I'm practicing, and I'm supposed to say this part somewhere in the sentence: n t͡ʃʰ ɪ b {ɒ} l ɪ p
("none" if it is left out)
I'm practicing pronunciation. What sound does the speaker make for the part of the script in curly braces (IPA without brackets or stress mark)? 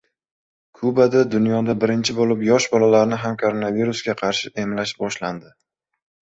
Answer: o